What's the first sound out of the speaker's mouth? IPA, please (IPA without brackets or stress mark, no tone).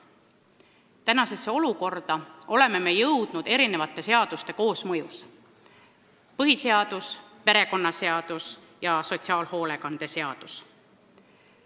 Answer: t̪